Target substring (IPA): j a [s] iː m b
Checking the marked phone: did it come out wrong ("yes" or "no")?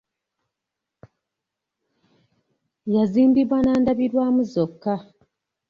yes